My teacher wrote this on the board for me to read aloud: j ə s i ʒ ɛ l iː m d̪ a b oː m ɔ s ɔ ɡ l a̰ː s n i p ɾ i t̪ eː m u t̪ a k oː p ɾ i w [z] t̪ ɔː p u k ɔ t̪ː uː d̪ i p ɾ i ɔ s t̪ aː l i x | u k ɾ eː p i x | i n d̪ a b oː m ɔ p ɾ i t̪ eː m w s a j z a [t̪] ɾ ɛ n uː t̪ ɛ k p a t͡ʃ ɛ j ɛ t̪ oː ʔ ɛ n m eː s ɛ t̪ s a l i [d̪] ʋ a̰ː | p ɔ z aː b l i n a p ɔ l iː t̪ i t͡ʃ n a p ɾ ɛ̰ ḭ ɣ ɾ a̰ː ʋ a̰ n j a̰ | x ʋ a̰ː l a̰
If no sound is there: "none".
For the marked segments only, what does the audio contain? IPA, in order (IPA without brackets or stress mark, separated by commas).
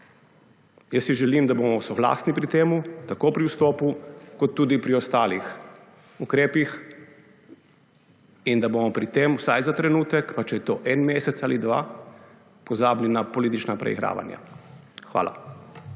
s, t̪, d̪